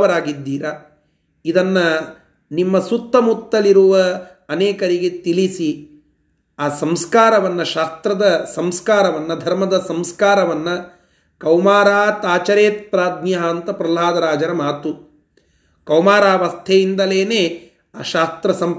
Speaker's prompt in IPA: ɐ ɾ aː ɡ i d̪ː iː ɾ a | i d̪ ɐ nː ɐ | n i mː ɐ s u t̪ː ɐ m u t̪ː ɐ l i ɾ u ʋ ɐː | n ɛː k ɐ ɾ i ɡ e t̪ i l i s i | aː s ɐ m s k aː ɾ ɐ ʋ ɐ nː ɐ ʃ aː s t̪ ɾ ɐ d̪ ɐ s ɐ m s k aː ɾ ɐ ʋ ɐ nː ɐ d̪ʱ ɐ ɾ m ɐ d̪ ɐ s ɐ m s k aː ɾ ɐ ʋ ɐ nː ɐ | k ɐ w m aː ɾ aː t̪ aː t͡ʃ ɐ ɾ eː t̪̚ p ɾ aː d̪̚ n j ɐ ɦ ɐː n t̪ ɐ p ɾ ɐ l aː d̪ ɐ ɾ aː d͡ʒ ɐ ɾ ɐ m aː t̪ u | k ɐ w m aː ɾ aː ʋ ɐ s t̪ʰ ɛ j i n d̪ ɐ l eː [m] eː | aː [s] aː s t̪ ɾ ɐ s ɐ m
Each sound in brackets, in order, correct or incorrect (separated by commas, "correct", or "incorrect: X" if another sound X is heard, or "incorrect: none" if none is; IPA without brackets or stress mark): incorrect: n, incorrect: ʃ